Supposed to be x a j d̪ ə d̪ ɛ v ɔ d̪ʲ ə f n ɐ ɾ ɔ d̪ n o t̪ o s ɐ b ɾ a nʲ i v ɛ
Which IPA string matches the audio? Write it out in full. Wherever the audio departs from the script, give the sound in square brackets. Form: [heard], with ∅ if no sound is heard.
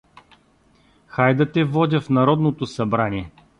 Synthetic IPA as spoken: x a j d̪ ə [t̪] ɛ v ɔ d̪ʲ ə f n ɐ ɾ ɔ d̪ n o t̪ o s ɐ b ɾ a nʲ i [∅] ɛ